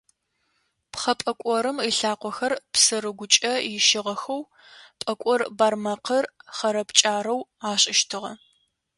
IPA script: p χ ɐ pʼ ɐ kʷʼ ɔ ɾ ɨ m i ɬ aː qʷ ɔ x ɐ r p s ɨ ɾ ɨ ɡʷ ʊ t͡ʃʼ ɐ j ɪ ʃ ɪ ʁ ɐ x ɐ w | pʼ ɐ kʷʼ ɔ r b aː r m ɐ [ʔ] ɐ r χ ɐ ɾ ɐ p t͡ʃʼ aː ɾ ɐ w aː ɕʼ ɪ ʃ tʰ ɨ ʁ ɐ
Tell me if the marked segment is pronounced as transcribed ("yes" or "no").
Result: no